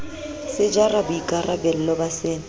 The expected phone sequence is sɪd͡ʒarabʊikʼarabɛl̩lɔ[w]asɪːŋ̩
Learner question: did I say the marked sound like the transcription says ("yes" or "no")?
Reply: no